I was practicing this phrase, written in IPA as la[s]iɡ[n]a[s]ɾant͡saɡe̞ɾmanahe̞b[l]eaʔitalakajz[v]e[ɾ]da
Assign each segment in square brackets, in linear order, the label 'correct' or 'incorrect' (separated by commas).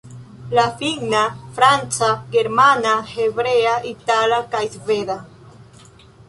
incorrect, correct, incorrect, incorrect, correct, incorrect